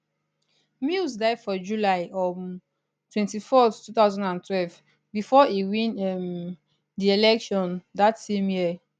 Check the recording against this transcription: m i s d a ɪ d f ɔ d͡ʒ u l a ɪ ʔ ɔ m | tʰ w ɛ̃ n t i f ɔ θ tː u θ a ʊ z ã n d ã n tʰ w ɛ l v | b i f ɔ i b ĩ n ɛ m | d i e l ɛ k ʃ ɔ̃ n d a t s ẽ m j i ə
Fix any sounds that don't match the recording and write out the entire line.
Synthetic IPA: m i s d a ɪ d f ɔ d͡ʒ u l a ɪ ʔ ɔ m | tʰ w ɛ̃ n t i f ɔ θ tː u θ a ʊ z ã n d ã n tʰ w ɛ l v | b i f ɔ i w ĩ n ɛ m | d i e l ɛ k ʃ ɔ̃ n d a t s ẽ m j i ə